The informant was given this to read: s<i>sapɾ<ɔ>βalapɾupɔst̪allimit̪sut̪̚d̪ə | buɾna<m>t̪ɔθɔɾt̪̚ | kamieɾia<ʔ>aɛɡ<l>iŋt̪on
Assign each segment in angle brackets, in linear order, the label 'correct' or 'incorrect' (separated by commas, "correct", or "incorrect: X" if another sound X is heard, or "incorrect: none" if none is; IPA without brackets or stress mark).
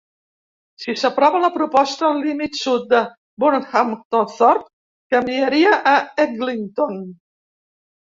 correct, correct, correct, correct, correct